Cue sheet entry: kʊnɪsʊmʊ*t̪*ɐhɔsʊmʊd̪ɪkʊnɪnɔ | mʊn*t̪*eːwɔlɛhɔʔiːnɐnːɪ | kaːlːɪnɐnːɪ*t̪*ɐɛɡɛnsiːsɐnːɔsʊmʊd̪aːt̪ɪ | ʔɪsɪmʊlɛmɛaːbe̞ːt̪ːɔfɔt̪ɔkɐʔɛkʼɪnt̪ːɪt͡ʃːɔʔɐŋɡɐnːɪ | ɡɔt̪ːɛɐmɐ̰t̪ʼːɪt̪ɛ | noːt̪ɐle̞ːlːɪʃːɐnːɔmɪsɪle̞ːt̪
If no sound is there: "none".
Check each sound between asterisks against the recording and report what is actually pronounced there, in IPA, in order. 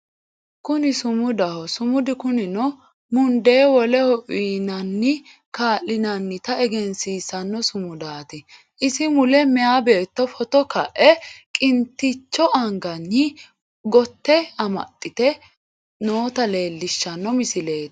d̪, d̪, t̪

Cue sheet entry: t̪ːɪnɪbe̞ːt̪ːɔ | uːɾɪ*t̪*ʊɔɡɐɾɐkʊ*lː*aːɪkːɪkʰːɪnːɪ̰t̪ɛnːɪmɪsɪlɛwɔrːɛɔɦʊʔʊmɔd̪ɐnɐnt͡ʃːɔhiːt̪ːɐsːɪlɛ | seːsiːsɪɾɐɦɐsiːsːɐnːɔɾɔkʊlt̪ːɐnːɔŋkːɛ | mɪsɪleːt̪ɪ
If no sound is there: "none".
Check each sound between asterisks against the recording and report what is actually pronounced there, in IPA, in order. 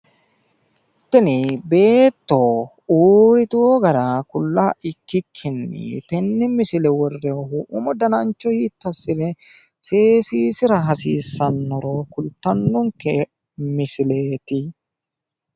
t̪, lː

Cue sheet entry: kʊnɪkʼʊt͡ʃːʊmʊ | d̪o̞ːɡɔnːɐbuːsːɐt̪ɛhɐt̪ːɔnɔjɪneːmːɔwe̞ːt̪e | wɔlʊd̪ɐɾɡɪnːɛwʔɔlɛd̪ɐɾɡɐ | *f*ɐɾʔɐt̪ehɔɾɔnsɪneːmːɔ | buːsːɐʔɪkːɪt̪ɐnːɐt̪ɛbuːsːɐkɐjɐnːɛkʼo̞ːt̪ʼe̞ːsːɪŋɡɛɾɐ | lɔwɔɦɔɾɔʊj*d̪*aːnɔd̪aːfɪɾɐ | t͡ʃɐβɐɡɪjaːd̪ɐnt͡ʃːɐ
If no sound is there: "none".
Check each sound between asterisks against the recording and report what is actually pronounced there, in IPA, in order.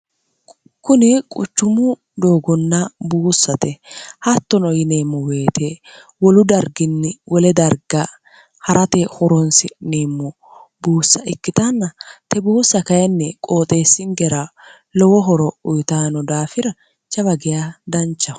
h, t̪

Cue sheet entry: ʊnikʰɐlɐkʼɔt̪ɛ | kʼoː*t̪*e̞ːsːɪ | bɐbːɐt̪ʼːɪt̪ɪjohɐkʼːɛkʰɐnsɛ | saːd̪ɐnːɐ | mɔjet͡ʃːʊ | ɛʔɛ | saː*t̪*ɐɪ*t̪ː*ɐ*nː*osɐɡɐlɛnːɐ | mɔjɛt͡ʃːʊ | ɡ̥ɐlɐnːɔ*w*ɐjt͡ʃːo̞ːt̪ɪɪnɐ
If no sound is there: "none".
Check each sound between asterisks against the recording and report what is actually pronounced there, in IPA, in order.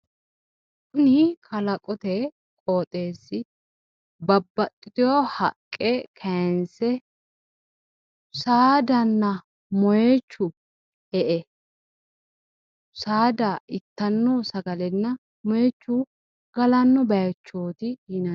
t̪ʼ, d̪, t̪ː, nː, b

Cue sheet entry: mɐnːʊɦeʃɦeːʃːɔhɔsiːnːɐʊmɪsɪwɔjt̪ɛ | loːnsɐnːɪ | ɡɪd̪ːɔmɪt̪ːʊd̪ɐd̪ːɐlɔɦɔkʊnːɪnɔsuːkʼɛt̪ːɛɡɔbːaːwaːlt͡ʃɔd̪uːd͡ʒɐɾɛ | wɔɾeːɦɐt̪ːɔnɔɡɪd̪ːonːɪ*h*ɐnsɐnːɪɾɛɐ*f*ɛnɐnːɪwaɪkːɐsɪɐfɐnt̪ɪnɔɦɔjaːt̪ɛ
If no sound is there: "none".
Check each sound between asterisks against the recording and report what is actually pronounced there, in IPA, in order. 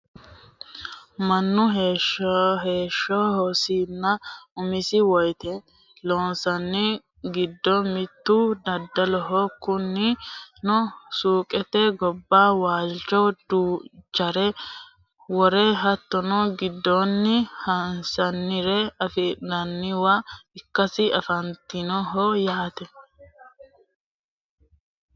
h, f

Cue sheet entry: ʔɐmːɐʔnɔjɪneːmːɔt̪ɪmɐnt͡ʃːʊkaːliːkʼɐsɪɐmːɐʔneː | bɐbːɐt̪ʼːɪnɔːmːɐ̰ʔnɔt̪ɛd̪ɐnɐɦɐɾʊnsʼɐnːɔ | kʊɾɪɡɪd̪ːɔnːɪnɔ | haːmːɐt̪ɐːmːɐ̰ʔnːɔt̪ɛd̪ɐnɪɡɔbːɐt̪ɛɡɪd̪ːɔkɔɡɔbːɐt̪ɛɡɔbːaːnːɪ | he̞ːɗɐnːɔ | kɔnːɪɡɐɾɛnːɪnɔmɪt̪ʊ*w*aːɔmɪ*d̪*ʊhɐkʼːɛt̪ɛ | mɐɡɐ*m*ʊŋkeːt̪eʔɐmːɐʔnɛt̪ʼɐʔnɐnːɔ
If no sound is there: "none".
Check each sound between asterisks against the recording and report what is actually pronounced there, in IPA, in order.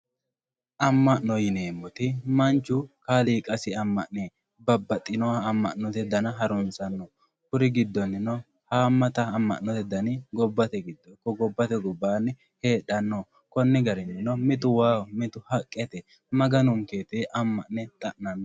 w, t̪, n

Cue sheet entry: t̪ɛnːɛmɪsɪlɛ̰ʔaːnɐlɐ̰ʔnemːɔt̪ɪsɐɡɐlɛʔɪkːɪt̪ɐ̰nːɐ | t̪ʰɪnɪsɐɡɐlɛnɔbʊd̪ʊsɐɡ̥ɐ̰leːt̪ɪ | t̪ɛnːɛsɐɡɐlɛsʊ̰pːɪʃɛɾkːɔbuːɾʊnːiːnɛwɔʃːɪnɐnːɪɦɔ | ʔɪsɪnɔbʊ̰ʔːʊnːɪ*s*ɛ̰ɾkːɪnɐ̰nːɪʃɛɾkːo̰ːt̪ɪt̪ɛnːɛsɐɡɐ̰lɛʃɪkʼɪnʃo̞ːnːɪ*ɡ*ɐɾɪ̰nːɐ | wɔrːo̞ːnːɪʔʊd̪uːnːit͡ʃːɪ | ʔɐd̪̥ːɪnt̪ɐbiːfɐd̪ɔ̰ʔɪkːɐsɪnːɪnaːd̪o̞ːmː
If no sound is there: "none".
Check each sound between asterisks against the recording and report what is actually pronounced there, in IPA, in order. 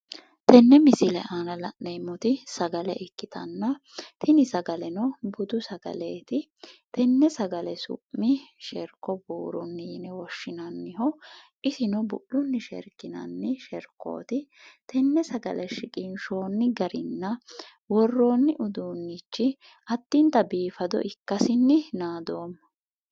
ʃ, ɡ

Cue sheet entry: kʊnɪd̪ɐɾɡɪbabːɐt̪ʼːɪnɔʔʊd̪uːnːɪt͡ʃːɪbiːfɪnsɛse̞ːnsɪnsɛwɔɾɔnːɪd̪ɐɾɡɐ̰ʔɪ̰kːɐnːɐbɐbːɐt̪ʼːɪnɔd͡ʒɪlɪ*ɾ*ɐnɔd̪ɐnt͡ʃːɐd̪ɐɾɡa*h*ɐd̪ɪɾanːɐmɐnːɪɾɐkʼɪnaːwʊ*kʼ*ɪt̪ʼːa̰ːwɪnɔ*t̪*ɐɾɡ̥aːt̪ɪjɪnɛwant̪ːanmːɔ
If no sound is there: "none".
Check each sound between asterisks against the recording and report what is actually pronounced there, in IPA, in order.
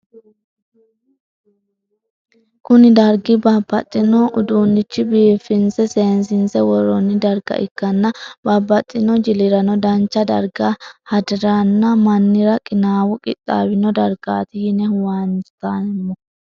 ɾ, h, kʼ, d̪

